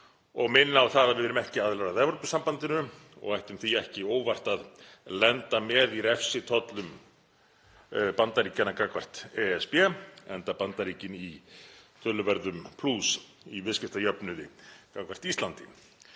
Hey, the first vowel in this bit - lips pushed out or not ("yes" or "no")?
yes